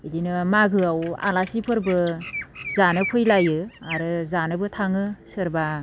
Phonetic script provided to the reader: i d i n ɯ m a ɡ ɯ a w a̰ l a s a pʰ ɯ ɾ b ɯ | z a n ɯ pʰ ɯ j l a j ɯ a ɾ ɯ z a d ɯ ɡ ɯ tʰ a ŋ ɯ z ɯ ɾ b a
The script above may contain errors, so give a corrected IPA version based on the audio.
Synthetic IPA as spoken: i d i n ɯ m a ɡ ɯ a w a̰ l a s i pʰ ɯ ɾ b ɯ | z a n ɯ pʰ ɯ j l a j ɯ a ɾ ɯ z a n ɯ b ɯ tʰ a ŋ ɯ s ɯ ɾ b a

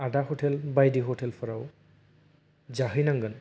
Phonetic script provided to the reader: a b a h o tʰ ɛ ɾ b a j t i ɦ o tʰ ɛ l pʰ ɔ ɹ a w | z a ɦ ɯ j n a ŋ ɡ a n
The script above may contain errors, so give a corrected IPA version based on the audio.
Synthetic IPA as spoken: a d a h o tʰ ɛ l b a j d i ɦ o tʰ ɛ l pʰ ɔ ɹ a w | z a ɦ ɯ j n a ŋ ɡ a n

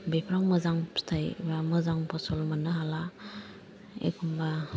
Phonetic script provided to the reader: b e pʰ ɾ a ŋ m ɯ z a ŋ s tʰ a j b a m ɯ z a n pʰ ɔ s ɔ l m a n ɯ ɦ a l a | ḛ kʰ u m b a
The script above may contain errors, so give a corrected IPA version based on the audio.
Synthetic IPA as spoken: b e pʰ ɾ a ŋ m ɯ z a ŋ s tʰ a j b a m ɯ z a ŋ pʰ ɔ s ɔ l m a n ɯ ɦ a l a | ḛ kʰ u m b a

